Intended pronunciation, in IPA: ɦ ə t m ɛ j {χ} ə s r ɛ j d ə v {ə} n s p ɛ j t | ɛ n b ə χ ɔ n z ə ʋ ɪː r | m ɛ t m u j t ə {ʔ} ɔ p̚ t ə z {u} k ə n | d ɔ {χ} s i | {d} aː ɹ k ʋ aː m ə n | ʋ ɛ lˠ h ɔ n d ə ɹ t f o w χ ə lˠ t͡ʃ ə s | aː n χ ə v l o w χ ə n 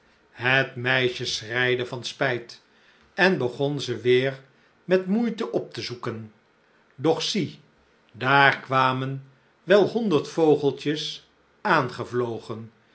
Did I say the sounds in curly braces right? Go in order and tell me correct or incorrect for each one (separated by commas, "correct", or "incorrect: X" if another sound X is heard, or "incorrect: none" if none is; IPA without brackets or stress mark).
incorrect: ʃ, incorrect: ɑ, correct, correct, correct, correct